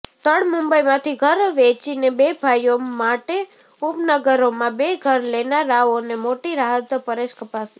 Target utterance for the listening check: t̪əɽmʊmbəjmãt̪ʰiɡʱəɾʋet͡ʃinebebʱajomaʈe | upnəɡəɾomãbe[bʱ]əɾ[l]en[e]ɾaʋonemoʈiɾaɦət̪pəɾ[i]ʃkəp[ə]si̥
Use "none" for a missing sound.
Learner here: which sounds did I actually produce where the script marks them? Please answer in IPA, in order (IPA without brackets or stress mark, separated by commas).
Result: ɡʱ, l, a, e, a